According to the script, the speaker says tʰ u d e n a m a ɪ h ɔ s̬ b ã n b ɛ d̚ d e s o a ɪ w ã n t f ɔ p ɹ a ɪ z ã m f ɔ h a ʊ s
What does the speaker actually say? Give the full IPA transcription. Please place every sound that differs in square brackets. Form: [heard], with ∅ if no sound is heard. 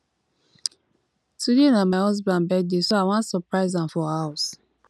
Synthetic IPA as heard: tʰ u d e n a m a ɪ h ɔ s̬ b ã n b ɛ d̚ d e s o a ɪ w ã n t [s] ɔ p ɹ a ɪ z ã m f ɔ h a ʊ s

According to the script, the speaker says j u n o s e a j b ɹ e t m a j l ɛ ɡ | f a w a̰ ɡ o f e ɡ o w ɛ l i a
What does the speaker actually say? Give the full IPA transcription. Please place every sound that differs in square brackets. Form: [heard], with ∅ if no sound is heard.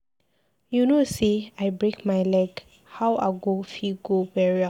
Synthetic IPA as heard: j u n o s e a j b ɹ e [k] m a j l ɛ ɡ | [h] a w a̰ ɡ o f [i] ɡ o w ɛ [ɹ] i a

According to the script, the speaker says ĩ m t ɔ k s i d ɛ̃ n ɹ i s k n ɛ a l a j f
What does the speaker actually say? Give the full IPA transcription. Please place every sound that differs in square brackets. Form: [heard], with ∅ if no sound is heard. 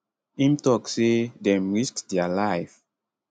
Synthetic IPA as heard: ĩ m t ɔ k s [e] d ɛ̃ [m] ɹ i s k [d] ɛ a l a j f

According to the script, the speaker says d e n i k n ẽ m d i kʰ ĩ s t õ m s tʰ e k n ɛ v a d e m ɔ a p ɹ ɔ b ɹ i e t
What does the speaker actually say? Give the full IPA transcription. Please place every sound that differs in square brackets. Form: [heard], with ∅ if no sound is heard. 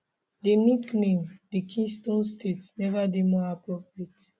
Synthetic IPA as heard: d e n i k n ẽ m d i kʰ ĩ s t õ [n] s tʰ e [t] n ɛ v a d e m ɔ a p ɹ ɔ [p] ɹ i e t

